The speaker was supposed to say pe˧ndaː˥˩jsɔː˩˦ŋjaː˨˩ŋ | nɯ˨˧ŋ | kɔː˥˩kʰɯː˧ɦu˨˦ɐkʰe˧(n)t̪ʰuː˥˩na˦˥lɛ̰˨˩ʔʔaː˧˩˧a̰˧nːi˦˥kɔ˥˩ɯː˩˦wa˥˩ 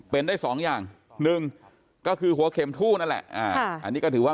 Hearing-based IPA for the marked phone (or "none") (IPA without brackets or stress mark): m